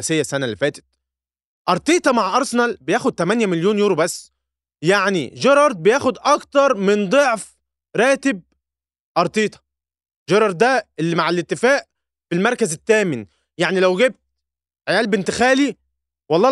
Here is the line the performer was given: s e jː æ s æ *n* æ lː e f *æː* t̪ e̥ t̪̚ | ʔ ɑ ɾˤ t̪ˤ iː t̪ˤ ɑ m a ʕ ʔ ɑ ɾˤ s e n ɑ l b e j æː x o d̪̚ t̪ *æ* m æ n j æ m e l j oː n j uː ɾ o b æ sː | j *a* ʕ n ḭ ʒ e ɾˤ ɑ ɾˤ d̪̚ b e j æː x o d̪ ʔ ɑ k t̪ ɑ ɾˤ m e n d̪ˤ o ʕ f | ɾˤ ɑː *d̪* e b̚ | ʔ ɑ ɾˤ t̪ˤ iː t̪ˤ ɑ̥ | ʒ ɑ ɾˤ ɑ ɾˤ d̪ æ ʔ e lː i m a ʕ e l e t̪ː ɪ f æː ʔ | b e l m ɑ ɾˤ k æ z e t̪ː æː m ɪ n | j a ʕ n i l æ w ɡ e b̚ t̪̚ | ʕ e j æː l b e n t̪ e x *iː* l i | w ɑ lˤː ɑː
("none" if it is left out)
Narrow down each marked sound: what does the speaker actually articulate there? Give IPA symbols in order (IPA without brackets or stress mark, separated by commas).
n, æː, æ, a, t̪, æː